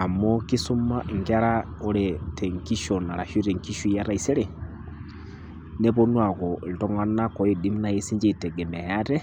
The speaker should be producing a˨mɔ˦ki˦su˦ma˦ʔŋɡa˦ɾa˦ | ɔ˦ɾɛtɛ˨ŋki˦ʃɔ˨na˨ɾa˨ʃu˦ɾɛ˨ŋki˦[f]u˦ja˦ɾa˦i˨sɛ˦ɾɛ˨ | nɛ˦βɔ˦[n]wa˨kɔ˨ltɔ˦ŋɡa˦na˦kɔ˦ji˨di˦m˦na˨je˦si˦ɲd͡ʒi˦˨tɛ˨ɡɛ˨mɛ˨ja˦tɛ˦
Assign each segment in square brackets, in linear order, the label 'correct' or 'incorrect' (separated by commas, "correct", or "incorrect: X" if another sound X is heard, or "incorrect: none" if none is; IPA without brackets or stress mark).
incorrect: ʃ, correct